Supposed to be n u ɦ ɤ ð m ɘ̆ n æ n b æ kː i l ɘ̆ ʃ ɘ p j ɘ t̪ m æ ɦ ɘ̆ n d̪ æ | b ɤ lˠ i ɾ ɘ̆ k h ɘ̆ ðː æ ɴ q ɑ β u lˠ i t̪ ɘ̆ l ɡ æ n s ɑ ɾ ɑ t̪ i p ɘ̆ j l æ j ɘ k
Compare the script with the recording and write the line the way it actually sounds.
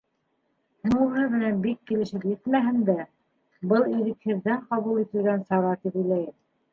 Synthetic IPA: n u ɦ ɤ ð m ɘ̆ n æ n b i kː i l ɘ̆ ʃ ɘ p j ɘ t̪ m æ ɦ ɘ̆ n d̪ æ | b ɤ lˠ i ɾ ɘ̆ k h ɘ̆ ðː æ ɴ q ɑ β u lˠ i t̪ ɘ̆ l ɡ æ n s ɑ ɾ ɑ t̪ i p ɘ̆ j l æ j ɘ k